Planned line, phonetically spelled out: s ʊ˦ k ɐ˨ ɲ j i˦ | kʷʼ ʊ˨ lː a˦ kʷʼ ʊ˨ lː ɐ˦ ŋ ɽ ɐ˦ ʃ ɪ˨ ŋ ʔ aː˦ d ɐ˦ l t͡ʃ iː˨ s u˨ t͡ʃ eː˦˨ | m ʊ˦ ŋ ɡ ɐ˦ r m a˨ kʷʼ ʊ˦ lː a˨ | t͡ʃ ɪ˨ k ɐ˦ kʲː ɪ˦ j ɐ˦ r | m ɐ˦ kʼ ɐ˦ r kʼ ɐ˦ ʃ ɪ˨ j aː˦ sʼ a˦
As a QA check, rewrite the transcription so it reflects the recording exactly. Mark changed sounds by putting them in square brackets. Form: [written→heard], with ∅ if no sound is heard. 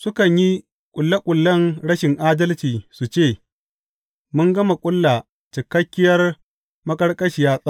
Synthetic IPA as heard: s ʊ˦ k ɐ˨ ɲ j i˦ | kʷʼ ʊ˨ lː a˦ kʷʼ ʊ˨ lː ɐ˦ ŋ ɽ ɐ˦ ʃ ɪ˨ ŋ ʔ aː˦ d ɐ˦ l t͡ʃ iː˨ s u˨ t͡ʃ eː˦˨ | m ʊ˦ ŋ ɡ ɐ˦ [r→∅] m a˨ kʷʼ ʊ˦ lː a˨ | t͡ʃ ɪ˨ k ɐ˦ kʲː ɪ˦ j ɐ˦ r | m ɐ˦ kʼ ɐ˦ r kʼ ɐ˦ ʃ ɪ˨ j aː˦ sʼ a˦